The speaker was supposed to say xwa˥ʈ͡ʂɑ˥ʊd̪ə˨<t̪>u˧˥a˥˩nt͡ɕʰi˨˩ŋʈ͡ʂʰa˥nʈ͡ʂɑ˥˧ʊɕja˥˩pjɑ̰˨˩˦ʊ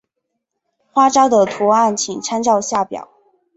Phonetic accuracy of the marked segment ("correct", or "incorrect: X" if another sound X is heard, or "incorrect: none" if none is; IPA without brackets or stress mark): incorrect: t̪ʰ